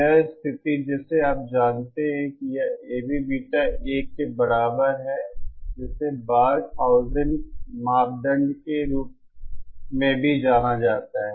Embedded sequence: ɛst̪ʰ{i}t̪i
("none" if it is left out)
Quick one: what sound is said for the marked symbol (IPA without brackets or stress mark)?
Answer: ɪ